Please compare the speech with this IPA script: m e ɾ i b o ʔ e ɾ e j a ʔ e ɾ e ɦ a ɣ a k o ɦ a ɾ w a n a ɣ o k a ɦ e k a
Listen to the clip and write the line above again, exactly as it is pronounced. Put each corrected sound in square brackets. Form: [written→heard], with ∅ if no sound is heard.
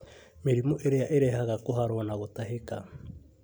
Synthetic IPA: m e ɾ i [b→m] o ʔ e ɾ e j a ʔ e ɾ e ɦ a ɣ a k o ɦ a ɾ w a n a ɣ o [k→t] a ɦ e k a